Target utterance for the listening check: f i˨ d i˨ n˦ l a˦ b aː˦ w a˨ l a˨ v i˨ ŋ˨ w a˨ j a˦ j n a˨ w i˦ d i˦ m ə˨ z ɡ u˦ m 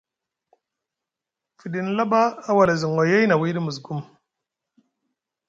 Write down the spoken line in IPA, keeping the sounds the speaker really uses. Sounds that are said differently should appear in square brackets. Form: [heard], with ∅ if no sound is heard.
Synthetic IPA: f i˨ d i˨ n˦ l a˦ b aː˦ w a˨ l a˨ [z] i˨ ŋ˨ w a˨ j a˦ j n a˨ w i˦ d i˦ m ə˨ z ɡ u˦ m

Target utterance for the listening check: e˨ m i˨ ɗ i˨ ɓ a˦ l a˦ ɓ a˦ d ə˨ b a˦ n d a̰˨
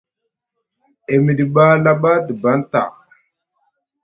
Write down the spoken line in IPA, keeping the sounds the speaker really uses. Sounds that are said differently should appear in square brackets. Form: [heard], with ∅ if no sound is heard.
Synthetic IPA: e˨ m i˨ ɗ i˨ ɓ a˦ l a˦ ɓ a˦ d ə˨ b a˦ n [t] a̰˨

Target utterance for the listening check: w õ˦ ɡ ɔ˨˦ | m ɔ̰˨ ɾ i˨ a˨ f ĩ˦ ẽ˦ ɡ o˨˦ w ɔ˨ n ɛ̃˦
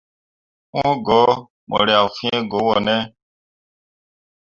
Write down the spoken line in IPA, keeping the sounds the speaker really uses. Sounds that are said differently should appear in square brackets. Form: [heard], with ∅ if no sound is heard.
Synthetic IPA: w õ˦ ɡ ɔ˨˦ | m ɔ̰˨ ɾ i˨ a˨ f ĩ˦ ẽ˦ ɡ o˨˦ w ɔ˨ n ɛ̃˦

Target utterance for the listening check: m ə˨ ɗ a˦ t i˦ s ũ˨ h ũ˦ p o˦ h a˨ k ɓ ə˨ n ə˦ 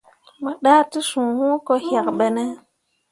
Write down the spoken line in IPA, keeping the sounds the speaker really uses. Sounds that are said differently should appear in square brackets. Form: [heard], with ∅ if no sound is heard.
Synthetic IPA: m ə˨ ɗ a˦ t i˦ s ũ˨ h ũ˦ [k] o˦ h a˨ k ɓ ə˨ n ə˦

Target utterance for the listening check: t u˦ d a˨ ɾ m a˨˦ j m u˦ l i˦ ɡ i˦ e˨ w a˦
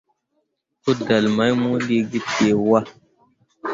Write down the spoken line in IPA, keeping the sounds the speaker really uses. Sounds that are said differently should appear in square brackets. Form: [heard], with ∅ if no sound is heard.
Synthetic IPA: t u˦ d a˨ [l] m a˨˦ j m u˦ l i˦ ɡ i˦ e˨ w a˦

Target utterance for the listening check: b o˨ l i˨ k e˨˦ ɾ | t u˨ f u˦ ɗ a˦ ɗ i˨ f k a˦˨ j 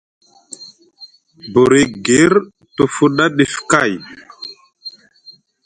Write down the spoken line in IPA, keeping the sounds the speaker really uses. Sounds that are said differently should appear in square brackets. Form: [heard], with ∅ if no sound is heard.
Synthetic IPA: b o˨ [ɾ] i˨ [ɡ] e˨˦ ɾ | t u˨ f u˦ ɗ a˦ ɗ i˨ f k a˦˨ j

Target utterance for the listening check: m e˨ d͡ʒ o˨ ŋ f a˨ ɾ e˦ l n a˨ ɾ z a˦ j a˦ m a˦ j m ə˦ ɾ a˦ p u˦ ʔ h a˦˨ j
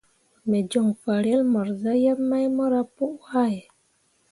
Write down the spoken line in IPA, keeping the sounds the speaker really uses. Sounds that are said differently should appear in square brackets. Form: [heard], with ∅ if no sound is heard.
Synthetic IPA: m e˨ d͡ʒ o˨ ŋ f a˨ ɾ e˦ l [m] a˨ ɾ z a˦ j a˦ m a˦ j m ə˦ ɾ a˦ p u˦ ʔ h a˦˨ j

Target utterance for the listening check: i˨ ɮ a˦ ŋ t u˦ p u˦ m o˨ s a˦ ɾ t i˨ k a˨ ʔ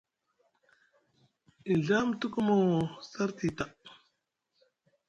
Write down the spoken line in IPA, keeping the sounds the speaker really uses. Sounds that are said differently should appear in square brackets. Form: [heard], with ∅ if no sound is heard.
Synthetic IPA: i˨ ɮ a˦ [m] t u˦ [k] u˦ m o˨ s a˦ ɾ t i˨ [t] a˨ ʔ

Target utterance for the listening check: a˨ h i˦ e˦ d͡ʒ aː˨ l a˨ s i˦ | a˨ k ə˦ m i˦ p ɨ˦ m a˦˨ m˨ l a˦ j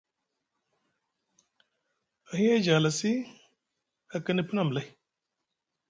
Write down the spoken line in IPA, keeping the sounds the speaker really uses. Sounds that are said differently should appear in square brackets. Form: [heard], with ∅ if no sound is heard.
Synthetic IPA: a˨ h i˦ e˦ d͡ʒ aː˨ l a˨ s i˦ | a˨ k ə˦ [n] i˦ p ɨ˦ [n] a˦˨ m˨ l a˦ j

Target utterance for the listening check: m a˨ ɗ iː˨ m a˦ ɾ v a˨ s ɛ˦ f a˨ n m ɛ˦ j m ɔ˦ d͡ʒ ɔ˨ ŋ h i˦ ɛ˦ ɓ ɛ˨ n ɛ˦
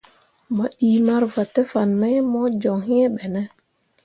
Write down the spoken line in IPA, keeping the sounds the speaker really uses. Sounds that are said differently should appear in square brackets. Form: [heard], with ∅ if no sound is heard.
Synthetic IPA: m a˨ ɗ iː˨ m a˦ ɾ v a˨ [t] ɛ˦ f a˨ n m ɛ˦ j m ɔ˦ d͡ʒ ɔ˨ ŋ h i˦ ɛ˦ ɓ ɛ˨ n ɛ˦

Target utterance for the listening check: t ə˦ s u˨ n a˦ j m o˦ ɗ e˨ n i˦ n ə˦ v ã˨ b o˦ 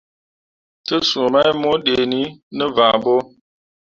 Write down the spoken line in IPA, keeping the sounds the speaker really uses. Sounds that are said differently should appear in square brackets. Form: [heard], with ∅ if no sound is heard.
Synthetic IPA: t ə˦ s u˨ [m] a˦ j m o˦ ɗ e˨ n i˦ n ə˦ v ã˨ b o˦

